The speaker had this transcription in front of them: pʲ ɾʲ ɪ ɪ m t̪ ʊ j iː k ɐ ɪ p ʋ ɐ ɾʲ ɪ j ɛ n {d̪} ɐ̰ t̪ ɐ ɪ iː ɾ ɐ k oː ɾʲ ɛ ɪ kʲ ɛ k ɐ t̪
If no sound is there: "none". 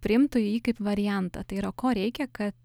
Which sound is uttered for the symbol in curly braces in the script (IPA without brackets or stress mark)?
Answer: t̪